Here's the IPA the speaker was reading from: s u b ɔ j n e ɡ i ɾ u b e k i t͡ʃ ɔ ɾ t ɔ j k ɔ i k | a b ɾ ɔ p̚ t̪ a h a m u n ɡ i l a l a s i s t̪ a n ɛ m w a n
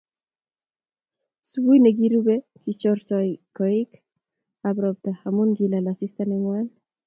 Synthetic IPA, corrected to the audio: s u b u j n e ɡ i ɾ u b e k i t͡ʃ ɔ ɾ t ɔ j k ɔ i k | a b ɾ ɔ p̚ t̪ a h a m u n ɡ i l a l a s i s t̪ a n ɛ ŋ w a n